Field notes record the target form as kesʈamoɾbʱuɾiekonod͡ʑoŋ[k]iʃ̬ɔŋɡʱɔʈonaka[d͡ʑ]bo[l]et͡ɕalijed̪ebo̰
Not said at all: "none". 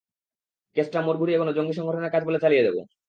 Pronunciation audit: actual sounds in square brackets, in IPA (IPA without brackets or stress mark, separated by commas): ɡ, d͡ʑ, l